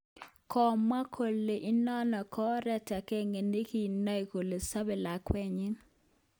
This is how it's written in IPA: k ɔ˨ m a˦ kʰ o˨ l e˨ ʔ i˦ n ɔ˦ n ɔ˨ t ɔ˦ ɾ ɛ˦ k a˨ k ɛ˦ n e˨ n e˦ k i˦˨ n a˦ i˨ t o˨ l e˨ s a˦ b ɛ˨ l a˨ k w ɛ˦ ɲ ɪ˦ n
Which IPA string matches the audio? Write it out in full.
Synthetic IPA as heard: k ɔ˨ m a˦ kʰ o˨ l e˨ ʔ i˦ n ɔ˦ n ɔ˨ k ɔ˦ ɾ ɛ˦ t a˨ k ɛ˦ ŋ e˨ n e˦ k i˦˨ n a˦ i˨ k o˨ l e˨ s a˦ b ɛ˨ l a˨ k w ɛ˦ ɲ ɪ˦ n